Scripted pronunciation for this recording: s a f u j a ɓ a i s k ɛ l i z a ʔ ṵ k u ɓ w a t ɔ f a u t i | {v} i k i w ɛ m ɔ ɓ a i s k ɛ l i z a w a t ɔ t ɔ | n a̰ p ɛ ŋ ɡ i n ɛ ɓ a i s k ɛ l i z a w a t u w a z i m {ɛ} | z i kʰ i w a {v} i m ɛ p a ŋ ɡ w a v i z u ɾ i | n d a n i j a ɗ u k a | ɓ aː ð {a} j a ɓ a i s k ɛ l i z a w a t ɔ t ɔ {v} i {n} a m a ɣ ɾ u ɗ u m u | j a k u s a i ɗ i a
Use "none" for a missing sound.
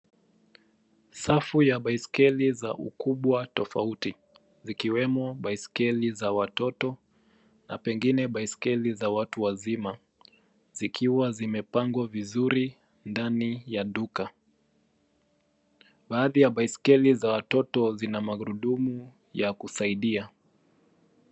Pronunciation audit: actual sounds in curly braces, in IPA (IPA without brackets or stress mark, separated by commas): z, a, z, i, z, n